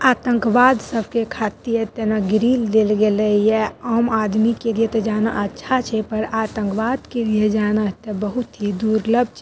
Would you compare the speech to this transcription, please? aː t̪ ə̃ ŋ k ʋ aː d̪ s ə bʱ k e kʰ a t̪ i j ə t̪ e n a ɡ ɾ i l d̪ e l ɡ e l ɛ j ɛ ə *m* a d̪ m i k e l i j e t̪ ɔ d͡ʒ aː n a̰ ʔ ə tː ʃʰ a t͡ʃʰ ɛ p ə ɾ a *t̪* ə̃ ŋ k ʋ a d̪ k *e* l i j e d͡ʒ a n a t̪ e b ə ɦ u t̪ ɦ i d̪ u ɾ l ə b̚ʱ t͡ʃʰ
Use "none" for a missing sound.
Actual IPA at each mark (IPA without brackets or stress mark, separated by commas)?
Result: m, t̪, e